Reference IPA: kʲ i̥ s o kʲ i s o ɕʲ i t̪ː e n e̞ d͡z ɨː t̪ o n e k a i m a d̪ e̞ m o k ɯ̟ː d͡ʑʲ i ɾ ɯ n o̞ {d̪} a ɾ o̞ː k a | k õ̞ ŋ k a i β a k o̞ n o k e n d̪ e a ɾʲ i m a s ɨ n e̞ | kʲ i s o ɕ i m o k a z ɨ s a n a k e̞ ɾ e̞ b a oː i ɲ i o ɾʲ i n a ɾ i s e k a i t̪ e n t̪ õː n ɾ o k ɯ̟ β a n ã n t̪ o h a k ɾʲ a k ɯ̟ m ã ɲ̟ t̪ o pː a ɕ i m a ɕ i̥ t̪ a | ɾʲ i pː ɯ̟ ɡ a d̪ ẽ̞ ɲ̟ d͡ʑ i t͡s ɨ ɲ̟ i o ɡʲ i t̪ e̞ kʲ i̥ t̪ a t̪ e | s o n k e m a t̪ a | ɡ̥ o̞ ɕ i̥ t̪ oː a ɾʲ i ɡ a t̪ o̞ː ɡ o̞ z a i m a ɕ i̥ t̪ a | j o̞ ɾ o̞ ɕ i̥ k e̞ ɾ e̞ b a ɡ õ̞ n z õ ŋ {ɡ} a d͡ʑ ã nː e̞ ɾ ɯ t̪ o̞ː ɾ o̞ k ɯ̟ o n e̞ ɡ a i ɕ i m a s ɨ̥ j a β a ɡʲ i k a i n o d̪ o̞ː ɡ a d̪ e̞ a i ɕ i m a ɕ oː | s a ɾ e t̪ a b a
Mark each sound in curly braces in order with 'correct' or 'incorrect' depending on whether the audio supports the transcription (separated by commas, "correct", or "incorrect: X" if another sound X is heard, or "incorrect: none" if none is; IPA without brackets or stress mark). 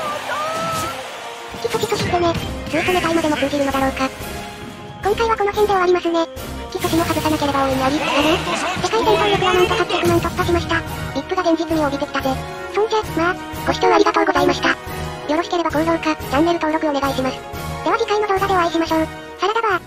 correct, incorrect: k